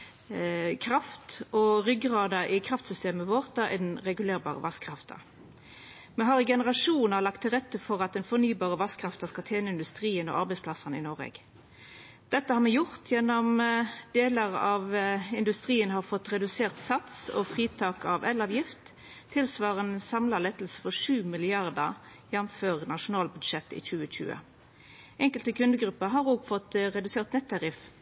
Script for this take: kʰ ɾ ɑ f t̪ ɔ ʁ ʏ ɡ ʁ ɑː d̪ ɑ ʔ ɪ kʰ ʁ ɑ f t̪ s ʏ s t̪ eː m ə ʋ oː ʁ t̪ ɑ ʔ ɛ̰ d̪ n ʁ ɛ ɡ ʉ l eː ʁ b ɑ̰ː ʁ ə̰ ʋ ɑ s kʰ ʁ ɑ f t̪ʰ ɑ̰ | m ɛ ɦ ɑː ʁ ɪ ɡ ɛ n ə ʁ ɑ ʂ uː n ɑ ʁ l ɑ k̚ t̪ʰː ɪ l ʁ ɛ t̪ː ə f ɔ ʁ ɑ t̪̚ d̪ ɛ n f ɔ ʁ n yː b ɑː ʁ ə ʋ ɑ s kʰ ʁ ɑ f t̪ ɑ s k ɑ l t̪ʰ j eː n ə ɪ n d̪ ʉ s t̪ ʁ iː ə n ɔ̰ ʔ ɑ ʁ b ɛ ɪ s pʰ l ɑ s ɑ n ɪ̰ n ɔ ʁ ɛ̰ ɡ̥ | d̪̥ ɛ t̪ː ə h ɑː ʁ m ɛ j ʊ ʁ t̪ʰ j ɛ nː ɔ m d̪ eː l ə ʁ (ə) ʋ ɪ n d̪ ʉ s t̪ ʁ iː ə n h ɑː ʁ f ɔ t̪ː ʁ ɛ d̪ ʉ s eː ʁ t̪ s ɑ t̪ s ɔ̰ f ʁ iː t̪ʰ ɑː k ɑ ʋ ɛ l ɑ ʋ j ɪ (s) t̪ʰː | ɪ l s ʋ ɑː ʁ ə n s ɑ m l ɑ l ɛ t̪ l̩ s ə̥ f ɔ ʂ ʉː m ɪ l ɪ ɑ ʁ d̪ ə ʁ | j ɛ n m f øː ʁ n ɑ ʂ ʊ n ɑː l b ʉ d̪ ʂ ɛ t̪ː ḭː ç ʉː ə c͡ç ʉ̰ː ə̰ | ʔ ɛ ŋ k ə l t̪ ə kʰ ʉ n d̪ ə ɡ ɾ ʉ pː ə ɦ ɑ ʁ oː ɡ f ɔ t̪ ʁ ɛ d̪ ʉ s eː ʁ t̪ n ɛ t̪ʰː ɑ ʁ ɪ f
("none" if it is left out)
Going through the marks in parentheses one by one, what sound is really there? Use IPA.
ɑ, f

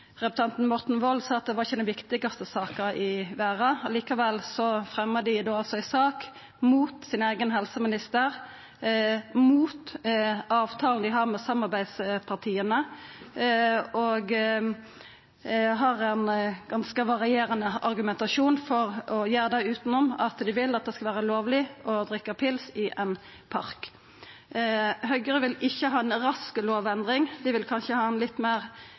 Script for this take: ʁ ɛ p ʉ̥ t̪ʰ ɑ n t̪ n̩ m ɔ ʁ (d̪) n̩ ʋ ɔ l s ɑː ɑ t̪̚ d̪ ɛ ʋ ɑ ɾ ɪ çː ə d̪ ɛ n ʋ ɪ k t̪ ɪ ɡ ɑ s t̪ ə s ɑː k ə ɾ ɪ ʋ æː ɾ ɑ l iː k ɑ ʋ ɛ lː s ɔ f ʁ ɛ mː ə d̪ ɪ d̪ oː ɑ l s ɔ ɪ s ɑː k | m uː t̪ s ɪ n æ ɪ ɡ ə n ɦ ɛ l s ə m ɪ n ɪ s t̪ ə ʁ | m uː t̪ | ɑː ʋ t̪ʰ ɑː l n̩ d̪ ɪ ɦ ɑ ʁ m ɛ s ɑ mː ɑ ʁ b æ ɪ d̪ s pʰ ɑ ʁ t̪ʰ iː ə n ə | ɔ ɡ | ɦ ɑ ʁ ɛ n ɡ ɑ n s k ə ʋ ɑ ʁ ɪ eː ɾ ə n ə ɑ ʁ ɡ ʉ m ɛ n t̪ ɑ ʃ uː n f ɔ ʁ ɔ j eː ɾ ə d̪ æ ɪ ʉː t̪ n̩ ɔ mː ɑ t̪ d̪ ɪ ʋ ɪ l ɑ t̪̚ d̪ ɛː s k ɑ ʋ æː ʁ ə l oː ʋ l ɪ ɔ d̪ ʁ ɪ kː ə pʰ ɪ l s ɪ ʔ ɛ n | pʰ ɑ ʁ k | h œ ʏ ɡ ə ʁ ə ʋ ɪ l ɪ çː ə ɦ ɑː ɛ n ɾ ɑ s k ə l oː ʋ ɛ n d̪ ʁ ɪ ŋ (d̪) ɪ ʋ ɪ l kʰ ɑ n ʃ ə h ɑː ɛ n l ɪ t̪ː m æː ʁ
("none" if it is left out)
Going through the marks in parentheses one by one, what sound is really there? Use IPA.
t̪, d̪

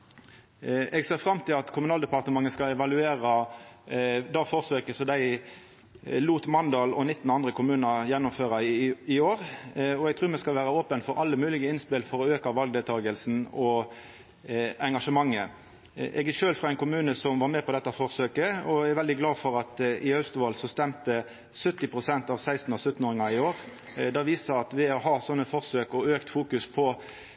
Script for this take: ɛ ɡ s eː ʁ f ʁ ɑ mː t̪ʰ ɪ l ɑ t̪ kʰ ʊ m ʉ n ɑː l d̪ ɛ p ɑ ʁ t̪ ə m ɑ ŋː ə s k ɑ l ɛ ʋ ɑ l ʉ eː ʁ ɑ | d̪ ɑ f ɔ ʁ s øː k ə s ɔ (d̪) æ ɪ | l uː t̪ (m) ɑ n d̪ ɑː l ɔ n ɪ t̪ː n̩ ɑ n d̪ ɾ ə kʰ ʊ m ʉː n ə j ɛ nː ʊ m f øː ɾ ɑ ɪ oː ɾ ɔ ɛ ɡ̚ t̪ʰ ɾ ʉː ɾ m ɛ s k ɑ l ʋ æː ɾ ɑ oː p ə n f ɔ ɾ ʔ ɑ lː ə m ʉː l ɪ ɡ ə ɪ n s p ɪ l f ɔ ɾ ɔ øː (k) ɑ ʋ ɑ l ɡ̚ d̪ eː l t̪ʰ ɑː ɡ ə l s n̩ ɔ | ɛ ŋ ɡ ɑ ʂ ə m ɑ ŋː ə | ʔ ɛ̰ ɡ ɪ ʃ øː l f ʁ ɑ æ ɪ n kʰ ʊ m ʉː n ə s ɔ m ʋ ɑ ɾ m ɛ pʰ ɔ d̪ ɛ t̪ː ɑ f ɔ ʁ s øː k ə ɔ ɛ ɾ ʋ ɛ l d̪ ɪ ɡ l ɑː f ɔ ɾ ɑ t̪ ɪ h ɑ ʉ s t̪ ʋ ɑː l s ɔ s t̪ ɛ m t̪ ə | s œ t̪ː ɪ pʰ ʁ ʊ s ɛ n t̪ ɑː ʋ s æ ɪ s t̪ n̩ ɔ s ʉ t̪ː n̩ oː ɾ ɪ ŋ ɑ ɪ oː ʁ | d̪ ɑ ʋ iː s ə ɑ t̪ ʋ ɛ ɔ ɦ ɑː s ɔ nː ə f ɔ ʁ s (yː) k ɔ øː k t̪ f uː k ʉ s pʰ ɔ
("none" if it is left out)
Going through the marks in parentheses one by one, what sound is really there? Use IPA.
d̪, m, k, øː

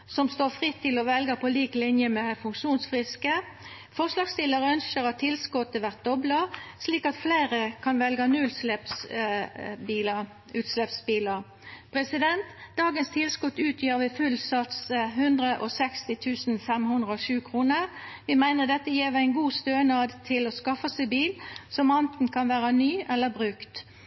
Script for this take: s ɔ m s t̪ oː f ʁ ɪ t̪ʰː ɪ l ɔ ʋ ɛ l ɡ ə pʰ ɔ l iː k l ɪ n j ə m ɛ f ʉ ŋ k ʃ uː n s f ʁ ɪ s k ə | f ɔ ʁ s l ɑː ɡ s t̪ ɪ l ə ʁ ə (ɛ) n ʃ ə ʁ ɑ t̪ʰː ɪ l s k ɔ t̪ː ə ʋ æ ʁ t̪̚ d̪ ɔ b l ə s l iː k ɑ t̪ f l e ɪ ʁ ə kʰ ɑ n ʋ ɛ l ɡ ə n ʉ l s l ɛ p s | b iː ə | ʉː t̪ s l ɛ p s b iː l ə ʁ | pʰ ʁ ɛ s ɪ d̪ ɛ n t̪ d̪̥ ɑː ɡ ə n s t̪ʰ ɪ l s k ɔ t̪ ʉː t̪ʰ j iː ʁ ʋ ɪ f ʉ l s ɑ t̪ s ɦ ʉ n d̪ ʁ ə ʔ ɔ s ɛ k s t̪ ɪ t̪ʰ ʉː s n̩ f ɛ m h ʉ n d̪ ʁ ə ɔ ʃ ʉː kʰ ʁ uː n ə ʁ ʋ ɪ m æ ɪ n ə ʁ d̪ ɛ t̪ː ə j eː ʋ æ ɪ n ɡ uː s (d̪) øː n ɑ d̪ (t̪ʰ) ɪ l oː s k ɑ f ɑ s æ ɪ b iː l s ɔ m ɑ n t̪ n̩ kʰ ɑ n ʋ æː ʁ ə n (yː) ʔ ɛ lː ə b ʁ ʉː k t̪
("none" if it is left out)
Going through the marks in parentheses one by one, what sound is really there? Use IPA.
œ, t̪, t̪ʰ, yː

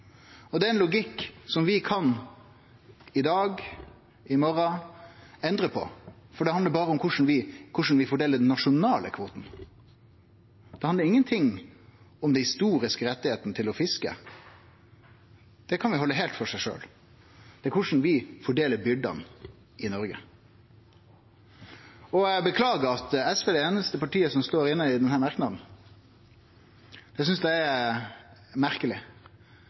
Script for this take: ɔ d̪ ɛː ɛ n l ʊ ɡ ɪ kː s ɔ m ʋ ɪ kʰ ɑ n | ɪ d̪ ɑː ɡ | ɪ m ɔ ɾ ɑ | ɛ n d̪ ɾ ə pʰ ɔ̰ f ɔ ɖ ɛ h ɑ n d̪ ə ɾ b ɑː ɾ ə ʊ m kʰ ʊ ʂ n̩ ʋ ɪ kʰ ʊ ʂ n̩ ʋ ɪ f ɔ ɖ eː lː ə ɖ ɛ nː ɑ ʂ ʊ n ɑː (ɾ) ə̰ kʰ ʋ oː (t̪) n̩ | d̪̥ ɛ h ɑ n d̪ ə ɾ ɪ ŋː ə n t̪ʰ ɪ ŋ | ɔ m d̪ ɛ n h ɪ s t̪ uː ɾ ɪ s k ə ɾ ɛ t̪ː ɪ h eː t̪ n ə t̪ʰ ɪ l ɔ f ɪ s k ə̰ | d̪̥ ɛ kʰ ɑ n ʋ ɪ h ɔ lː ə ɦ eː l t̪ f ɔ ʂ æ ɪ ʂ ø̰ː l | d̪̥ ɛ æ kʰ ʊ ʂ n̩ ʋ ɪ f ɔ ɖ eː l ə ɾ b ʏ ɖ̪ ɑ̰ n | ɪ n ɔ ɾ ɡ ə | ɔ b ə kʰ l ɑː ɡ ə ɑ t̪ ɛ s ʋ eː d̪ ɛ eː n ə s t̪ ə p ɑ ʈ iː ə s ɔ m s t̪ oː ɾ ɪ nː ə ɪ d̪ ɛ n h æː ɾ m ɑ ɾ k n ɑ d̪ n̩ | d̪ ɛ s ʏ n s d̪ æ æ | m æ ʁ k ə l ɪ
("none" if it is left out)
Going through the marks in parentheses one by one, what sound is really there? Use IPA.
l, t̪

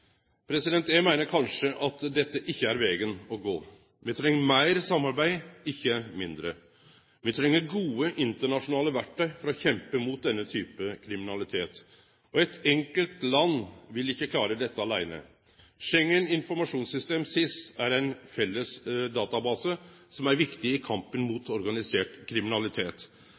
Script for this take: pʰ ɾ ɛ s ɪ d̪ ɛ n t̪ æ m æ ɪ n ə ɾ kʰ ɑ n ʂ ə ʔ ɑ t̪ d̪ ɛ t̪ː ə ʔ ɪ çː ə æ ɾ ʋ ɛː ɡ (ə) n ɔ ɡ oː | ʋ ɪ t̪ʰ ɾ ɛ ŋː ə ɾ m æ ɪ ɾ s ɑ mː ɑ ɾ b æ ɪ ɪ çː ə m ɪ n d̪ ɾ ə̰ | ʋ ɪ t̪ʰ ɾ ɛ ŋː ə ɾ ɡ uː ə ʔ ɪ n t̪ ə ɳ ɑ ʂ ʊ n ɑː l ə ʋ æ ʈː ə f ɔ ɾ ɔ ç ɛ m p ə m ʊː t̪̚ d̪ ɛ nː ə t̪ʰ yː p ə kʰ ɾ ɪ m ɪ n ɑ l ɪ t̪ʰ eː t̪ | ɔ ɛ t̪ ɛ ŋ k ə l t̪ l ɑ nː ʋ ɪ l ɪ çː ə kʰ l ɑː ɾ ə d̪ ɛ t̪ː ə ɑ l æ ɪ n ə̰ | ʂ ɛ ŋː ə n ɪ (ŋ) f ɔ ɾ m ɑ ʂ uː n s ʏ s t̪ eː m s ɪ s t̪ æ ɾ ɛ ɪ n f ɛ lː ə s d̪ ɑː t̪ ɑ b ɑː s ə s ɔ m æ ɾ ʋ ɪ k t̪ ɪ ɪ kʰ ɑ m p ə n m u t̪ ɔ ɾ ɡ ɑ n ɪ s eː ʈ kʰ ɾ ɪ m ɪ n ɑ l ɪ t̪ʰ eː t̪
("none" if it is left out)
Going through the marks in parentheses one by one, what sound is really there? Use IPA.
ə, n

